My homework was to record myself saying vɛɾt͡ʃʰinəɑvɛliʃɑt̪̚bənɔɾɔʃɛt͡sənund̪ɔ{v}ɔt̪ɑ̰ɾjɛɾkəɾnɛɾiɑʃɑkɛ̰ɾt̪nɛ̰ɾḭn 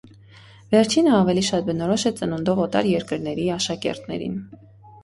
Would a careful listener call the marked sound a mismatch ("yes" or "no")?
no